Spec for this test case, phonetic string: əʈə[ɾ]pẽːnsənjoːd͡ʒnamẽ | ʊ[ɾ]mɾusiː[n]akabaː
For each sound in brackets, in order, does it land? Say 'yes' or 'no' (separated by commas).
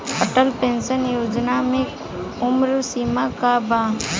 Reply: no, no, no